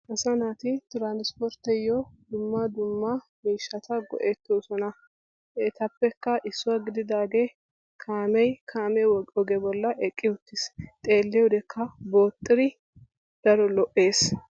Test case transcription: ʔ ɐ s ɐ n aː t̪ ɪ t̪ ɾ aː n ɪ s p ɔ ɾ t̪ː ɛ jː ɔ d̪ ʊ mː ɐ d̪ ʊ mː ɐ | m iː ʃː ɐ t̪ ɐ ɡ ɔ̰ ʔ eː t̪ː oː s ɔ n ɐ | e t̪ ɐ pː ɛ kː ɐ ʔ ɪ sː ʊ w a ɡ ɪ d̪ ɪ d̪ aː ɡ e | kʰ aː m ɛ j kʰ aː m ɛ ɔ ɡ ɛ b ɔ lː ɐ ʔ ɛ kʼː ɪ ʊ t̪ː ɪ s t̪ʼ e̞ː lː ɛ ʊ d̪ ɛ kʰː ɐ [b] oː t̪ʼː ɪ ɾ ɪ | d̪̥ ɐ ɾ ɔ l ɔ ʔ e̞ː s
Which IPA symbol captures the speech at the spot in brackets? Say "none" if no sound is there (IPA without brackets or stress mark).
b